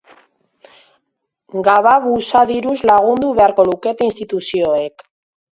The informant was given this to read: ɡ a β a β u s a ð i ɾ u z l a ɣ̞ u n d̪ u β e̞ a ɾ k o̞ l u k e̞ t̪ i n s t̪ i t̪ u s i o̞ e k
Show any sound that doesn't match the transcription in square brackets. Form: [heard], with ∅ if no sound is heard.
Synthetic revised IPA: ɡ a β a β u s a ð i ɾ u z l a ɣ̞ u n d̪ u β e̞ a ɾ k o̞ l u k e̞ t̪ i n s t̪ i t̪ u s i o̞ e k